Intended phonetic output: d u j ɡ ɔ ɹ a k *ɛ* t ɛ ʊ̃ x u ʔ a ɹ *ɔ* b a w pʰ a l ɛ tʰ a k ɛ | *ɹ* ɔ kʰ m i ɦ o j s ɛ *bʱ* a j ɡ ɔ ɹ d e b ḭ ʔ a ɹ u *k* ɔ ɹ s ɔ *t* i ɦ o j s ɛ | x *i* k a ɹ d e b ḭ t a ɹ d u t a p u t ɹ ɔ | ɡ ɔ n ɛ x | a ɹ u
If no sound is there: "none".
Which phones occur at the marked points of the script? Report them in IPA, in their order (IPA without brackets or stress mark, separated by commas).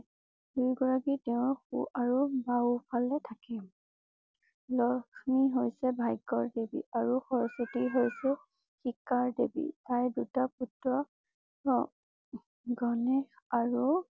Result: i, u, l, bʱ, x, t, i